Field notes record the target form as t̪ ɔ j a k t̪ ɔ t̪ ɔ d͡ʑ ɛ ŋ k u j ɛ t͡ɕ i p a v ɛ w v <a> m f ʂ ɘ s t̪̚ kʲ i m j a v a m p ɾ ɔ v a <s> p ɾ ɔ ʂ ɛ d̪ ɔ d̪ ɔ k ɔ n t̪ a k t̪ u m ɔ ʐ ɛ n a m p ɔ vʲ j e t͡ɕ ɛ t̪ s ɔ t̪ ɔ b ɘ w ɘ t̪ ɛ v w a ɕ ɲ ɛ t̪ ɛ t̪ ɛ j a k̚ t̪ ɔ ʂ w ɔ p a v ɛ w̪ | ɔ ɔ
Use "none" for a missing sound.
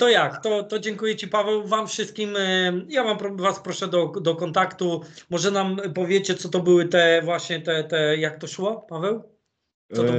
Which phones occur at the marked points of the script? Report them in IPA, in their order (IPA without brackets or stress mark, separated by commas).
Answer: a, s